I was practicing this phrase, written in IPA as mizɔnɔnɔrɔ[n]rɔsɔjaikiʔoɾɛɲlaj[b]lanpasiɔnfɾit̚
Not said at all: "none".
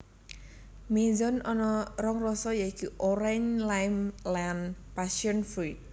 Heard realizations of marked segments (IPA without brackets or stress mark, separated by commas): ŋ, m